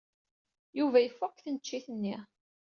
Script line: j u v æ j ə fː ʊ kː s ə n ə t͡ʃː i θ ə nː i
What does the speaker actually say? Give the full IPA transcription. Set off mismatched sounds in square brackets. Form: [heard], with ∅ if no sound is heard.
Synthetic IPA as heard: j u v æ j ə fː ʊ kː [θ] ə n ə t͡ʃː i θ ə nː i

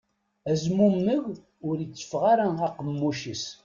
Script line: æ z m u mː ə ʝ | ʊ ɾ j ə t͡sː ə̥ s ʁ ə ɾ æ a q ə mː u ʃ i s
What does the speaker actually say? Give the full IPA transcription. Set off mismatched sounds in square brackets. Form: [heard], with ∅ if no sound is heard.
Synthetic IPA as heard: æ z m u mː ə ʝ | ʊ ɾ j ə t͡sː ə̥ [f] ʁ [a] ɾ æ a q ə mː u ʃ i s

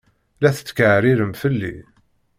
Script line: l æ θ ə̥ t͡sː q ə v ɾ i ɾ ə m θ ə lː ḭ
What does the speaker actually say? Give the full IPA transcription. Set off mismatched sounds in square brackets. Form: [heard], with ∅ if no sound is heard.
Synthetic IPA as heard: l æ θ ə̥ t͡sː [k] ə [ʕ] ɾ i ɾ ə m [f] ə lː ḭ

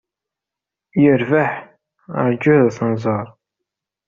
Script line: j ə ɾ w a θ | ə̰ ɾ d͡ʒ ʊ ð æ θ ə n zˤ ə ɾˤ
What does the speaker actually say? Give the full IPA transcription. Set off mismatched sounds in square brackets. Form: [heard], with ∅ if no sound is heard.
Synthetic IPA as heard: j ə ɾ [v] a [ħ] | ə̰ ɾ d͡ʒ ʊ ð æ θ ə n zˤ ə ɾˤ

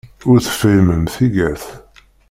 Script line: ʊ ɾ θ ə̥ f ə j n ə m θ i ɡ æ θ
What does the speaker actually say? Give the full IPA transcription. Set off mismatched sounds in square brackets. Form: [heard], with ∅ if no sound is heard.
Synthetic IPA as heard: ʊ ɾ θ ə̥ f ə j [m] ə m θ i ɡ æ θ

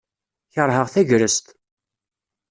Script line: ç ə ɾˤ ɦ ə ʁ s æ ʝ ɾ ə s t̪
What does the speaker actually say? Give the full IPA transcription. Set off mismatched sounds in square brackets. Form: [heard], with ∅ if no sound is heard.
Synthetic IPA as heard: ç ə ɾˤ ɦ ə ʁ [θ] æ ʝ ɾ ə s t̪

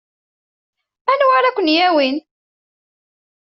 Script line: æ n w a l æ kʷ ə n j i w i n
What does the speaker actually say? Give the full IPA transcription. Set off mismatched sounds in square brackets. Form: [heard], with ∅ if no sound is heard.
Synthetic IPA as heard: æ n w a [ɾ] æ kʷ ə n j [æ] w i n

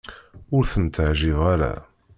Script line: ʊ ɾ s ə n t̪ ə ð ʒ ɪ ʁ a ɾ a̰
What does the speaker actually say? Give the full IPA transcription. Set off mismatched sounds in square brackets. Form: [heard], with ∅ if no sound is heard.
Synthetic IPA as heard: ʊ ɾ [θ] ə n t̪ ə [ʕ] ʒ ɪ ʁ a ɾ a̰

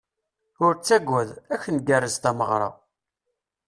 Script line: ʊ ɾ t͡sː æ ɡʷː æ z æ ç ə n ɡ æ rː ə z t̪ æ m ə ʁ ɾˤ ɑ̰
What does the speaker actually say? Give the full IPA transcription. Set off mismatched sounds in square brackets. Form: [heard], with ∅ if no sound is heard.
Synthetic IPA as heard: ʊ ɾ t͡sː æ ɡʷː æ [ð] æ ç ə n ɡ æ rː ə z t̪ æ m ə ʁ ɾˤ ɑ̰

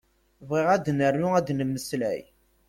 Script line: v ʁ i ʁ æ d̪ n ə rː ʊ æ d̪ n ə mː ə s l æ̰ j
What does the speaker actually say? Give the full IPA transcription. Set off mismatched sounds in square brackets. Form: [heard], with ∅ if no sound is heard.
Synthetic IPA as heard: v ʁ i ʁ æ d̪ n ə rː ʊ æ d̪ n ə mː ə s l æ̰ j

